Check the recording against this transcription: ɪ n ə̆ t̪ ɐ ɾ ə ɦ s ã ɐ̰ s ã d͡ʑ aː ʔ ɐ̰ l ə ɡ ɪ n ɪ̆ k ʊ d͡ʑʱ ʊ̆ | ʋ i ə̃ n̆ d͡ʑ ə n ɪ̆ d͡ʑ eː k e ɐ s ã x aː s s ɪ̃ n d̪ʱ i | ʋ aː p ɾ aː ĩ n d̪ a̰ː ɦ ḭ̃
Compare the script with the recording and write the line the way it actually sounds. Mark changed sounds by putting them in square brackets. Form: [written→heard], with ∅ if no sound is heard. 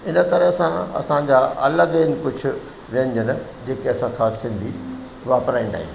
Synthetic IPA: ɪ n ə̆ t̪ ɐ ɾ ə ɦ s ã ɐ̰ s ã d͡ʑ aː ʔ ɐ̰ l ə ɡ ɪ n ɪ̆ k ʊ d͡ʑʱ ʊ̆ | ʋ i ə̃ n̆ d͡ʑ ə n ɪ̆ d͡ʑ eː k e ɐ s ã x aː s s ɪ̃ n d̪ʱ i | ʋ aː p ɾ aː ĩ n d̪ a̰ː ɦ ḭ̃